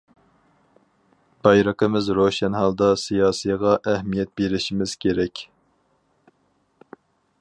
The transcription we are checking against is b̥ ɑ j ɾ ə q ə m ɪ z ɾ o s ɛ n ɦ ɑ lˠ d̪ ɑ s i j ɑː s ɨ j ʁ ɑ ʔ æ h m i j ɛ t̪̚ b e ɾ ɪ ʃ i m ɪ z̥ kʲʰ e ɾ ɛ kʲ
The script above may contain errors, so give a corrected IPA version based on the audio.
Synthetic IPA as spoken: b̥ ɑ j ɾ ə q ə m ɪ z ɾ o ʃ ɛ n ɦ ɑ lˠ d̪ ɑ s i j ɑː s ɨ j ʁ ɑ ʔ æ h m i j ɛ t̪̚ b e ɾ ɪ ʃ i m ɪ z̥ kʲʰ e ɾ ɛ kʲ